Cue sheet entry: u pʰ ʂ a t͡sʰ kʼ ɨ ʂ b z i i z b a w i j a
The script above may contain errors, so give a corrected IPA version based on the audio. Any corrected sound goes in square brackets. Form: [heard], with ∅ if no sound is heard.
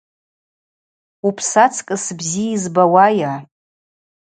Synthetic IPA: u pʰ [s] a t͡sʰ kʼ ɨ [s] b z i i z b a w [a] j a